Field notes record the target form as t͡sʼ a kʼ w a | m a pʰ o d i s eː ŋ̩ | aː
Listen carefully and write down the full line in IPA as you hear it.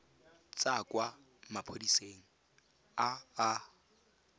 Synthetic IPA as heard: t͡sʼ a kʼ w a | m a pʰ o d i s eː ŋ̩ | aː